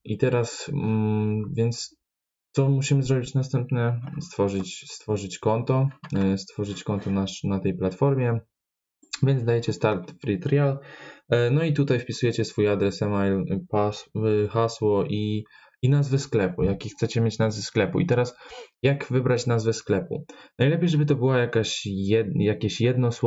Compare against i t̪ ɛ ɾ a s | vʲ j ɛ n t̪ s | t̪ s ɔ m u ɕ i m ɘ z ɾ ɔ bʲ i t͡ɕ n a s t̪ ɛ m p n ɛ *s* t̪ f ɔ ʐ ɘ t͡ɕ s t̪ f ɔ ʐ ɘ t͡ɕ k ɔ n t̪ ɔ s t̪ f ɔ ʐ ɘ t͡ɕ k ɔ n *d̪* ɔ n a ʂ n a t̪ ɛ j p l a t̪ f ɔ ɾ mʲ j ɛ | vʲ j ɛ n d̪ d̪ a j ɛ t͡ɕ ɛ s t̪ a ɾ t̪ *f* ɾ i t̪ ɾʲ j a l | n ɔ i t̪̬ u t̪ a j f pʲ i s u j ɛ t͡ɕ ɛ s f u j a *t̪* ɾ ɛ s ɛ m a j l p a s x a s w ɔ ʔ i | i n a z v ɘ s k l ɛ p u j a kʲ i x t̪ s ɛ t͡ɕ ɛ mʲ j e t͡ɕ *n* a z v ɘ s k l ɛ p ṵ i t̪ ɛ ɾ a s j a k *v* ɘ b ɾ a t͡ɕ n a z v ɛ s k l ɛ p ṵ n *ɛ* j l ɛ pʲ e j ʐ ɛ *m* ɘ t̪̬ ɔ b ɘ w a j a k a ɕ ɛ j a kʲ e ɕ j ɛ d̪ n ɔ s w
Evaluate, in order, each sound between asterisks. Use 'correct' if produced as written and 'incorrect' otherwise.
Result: correct, incorrect, correct, incorrect, correct, correct, incorrect, incorrect

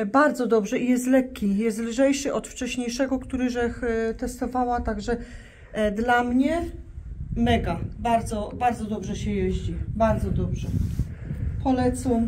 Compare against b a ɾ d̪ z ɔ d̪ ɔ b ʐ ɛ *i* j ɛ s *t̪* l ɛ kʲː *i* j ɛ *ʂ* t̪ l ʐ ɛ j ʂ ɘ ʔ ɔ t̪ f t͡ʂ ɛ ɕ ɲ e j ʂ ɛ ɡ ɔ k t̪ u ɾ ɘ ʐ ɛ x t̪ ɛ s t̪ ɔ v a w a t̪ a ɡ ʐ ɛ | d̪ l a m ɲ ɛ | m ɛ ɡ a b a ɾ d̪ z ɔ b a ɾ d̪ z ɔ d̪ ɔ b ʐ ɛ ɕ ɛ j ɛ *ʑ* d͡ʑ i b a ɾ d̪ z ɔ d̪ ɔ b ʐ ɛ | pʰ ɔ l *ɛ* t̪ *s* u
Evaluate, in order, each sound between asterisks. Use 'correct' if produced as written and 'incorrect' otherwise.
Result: correct, correct, correct, incorrect, correct, correct, correct

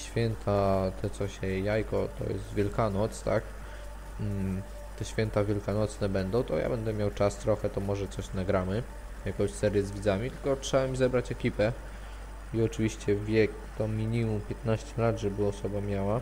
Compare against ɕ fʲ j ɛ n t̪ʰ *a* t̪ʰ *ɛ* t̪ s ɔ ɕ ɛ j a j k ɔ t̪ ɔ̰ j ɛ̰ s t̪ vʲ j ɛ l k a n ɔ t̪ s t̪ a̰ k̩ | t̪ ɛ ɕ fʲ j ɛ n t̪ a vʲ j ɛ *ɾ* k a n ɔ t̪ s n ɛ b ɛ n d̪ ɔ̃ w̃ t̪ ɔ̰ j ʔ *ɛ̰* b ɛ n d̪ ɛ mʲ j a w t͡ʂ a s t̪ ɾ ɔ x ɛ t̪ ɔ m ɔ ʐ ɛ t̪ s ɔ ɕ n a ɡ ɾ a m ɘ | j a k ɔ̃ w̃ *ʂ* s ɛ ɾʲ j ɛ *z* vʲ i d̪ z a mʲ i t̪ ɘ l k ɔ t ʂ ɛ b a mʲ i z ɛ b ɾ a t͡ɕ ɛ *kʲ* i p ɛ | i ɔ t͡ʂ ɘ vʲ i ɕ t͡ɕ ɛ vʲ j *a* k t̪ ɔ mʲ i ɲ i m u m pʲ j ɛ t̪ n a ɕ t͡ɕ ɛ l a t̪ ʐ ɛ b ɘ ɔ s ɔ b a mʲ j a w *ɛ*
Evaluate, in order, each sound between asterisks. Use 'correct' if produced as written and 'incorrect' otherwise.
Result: correct, correct, incorrect, incorrect, incorrect, correct, correct, incorrect, incorrect

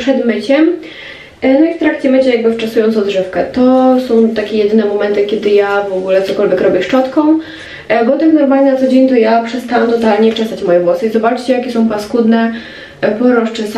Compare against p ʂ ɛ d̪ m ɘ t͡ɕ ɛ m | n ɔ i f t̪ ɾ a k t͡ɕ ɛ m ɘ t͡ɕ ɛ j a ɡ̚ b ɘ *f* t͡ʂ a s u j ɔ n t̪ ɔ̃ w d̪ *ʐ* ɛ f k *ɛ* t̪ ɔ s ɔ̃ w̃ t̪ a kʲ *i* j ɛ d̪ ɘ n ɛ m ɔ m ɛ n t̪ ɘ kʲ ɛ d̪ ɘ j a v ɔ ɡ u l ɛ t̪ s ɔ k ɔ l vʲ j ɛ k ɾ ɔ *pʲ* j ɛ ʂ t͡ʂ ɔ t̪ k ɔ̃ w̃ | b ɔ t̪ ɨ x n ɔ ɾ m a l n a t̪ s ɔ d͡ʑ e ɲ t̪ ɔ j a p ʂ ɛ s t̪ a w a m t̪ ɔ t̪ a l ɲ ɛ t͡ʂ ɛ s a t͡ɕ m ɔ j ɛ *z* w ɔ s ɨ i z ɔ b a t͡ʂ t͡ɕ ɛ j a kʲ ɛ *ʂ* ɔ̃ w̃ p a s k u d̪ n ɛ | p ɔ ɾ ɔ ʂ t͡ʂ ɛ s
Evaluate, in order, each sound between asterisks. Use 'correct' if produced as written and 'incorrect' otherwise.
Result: correct, correct, correct, incorrect, incorrect, incorrect, incorrect

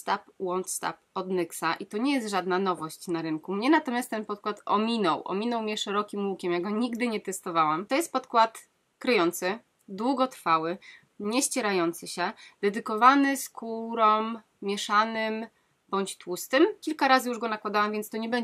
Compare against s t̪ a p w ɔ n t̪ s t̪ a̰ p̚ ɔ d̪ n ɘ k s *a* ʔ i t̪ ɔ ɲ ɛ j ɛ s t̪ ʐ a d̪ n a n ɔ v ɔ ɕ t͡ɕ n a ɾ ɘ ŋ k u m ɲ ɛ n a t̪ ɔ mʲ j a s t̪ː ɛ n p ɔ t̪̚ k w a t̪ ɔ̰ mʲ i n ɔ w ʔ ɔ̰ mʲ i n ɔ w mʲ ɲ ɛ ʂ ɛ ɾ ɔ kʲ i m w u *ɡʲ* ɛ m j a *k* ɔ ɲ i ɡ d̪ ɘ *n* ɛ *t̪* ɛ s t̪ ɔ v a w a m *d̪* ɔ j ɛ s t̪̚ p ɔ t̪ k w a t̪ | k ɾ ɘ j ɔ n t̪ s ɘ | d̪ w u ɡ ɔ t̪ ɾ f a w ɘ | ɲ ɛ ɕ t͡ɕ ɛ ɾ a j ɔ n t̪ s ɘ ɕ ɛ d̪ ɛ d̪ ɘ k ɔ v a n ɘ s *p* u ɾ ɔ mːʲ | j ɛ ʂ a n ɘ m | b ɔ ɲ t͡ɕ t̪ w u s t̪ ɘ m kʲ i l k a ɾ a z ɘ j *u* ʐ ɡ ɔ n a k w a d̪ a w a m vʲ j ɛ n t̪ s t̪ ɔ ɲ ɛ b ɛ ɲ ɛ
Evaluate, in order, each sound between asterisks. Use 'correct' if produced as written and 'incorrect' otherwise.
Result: correct, incorrect, incorrect, incorrect, correct, incorrect, incorrect, correct

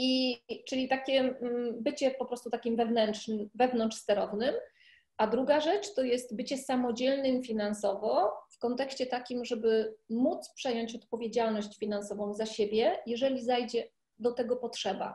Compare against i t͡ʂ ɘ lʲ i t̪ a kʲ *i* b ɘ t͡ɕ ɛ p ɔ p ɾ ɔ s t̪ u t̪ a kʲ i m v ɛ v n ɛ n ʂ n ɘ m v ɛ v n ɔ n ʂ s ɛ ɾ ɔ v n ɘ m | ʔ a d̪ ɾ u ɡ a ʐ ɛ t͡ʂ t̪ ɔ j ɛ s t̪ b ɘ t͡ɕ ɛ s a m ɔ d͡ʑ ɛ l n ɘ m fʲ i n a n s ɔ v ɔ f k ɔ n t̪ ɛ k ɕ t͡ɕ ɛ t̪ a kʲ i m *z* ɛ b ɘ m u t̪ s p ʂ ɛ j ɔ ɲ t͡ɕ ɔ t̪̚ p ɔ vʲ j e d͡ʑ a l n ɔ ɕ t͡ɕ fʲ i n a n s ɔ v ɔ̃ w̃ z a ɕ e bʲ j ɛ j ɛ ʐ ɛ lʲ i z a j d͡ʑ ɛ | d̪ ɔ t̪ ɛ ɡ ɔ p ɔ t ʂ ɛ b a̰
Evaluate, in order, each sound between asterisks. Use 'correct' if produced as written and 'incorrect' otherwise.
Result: incorrect, incorrect

